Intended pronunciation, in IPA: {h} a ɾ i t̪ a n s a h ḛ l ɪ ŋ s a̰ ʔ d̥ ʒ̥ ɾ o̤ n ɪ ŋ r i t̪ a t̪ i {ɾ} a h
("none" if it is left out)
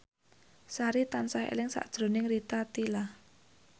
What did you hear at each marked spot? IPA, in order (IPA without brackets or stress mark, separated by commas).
s, l